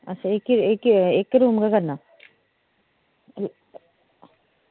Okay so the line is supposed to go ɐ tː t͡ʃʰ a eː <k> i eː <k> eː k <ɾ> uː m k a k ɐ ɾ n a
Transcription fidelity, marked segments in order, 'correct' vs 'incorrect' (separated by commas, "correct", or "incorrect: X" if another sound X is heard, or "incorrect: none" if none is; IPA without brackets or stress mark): correct, correct, correct